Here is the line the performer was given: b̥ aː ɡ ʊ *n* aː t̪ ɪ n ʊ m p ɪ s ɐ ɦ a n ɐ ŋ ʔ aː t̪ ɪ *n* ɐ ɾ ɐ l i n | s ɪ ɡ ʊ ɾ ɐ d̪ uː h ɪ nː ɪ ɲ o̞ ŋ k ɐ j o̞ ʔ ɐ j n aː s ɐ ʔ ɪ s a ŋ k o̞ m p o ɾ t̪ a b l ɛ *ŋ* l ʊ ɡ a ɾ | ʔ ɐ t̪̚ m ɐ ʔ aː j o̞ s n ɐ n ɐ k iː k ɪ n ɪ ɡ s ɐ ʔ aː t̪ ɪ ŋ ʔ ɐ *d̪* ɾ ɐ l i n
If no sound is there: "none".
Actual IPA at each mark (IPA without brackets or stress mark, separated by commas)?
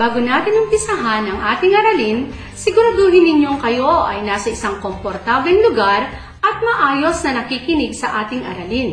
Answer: n, ŋ, ŋ, none